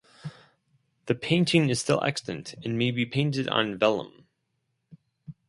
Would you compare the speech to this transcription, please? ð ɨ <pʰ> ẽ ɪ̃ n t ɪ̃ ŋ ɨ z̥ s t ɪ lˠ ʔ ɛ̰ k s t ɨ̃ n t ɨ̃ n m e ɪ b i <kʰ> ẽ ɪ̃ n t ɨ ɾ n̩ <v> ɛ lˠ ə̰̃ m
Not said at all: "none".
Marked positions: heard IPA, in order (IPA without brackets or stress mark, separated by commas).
pʰ, pʰ, v